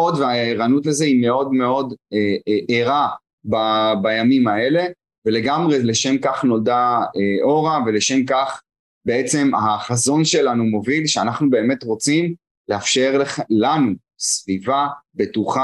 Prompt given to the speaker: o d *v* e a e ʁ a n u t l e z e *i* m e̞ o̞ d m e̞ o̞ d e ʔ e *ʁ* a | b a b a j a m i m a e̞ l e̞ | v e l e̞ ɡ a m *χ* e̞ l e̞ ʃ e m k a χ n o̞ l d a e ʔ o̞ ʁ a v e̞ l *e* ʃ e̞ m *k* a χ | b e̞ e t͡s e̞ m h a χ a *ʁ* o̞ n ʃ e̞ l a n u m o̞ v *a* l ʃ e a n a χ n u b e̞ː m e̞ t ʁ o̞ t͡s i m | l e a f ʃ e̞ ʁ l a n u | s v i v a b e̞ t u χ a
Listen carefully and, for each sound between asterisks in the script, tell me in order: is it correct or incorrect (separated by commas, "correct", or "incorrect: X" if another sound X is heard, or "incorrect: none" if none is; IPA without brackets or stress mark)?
correct, correct, correct, incorrect: ʁ, correct, correct, incorrect: z, incorrect: i